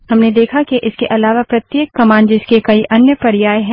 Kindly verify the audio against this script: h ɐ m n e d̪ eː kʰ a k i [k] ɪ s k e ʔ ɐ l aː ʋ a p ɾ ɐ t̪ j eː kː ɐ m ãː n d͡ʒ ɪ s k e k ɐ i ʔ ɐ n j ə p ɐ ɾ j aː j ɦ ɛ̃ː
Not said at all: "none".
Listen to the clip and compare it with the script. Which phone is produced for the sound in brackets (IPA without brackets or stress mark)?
ʔ